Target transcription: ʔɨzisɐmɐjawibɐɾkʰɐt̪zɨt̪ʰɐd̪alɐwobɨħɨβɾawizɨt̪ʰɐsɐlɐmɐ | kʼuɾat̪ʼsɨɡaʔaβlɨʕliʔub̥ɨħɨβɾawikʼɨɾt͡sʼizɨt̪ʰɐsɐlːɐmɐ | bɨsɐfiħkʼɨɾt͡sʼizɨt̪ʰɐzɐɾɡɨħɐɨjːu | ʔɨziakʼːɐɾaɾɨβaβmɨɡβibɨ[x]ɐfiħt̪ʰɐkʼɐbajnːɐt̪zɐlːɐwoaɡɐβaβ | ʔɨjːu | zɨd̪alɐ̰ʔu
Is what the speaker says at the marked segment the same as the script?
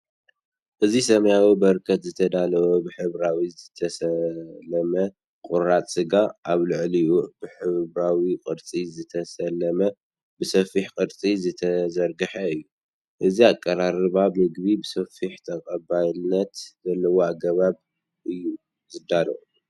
no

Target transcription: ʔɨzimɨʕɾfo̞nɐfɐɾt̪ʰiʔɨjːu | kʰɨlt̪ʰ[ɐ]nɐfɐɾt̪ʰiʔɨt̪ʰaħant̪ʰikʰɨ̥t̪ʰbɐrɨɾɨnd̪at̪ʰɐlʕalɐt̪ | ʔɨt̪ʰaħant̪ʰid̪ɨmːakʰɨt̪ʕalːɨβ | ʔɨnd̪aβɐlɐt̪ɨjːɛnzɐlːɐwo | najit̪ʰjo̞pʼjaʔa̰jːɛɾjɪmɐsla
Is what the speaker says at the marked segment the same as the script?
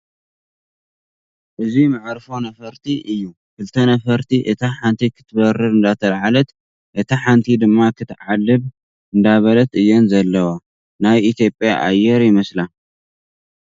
yes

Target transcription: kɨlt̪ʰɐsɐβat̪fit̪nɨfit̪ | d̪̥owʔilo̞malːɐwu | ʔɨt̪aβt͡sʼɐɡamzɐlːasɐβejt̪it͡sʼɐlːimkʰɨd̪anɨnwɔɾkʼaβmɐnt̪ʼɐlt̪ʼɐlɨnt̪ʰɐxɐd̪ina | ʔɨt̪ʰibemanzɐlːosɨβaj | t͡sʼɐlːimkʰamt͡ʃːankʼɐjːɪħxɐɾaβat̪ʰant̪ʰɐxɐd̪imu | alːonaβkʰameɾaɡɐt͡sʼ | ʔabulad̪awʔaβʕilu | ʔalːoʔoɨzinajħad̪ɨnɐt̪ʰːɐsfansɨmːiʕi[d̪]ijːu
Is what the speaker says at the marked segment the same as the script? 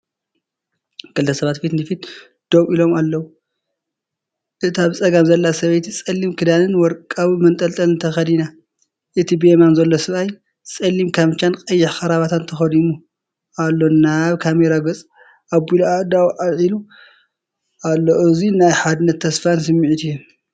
no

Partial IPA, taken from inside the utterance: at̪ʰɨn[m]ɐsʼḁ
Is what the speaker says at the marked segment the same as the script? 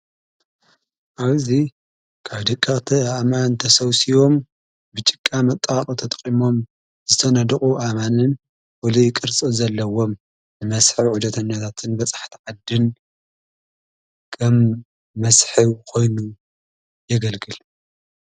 no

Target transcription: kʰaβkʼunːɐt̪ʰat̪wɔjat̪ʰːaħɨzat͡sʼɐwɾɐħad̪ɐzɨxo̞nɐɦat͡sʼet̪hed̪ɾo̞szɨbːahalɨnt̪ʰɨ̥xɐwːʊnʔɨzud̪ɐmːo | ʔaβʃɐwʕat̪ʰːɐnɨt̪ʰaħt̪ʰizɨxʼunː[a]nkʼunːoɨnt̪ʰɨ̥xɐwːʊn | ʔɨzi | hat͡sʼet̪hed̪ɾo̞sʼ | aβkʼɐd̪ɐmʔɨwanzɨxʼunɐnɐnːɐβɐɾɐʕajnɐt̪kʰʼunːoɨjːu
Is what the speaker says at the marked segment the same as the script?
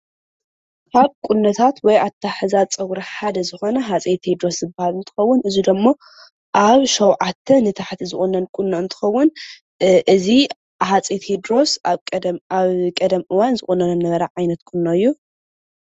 no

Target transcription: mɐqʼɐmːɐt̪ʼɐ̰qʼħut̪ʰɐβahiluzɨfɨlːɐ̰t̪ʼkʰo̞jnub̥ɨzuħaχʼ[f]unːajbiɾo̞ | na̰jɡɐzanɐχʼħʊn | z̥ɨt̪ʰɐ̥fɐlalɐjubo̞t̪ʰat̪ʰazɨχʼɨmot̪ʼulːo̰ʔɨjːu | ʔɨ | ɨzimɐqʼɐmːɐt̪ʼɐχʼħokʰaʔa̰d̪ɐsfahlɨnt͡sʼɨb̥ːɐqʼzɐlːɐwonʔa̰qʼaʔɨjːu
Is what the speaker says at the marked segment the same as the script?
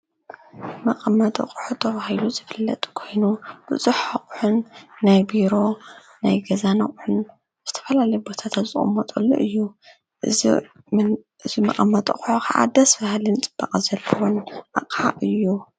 no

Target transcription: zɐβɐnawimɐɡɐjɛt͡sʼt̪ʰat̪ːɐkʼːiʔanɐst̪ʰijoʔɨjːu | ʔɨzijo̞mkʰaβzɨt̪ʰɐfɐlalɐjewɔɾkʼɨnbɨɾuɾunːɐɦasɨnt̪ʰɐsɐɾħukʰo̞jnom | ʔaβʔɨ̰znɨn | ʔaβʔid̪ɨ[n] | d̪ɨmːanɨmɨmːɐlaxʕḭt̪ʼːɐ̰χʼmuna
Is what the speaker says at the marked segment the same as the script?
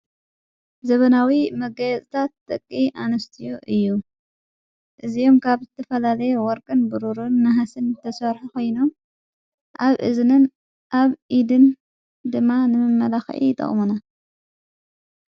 yes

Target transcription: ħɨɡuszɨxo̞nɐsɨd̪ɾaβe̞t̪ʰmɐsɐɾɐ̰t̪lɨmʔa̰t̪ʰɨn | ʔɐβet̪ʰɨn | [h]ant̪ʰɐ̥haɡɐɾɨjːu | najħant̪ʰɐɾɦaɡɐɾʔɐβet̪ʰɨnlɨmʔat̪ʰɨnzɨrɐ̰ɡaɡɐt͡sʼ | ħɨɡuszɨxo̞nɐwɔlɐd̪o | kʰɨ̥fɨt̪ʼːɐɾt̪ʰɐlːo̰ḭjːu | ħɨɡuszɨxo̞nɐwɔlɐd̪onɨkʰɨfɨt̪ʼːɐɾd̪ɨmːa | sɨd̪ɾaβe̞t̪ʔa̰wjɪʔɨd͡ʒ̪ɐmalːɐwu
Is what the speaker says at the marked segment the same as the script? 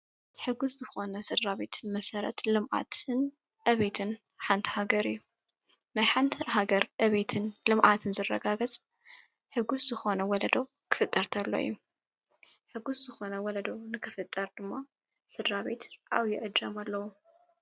no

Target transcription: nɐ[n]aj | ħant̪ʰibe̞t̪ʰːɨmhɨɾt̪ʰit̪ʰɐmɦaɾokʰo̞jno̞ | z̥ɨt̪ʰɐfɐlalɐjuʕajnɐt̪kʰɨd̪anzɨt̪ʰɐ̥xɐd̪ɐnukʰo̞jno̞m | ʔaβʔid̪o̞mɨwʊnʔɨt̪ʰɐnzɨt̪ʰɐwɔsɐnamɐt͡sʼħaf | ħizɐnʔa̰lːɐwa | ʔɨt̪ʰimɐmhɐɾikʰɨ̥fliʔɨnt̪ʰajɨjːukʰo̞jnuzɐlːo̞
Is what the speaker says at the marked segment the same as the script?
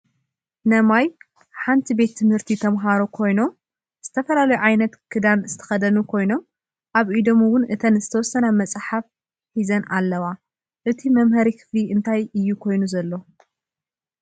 no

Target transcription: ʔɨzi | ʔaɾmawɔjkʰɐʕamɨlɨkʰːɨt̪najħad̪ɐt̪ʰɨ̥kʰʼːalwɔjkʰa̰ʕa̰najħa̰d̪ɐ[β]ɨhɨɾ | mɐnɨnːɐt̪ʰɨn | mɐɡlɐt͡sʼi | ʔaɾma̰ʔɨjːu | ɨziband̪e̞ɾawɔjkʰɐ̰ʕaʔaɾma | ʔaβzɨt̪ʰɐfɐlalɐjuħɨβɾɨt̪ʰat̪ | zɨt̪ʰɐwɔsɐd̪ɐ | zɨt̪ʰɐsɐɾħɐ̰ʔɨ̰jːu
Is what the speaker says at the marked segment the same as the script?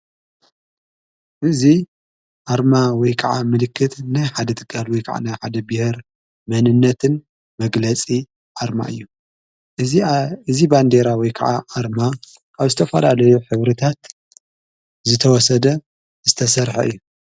no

